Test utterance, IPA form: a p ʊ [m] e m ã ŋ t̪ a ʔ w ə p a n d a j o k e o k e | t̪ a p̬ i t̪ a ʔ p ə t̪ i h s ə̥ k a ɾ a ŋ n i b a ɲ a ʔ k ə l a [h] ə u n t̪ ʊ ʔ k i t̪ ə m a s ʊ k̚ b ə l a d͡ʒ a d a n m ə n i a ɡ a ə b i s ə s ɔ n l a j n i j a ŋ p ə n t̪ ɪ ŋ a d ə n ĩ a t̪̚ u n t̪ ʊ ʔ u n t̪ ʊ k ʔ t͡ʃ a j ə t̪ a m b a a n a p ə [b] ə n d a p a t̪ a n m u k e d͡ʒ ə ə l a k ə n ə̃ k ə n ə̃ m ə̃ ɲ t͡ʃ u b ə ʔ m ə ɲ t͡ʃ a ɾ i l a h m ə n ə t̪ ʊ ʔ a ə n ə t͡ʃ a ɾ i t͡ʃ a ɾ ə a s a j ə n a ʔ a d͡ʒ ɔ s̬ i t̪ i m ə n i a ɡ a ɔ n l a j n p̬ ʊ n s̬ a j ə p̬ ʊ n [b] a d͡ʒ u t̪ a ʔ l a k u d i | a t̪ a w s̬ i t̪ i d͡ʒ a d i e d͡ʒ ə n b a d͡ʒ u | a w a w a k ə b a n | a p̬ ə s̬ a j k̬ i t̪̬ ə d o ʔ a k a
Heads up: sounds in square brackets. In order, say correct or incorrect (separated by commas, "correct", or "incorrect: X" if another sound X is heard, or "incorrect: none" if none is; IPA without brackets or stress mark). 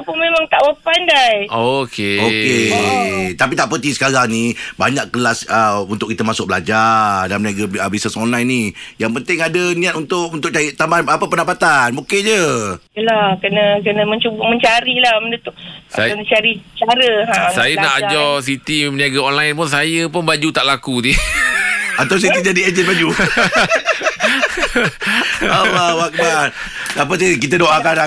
correct, incorrect: s, incorrect: p, correct